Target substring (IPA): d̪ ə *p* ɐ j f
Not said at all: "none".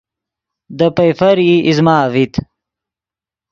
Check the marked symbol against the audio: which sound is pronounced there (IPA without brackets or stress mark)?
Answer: p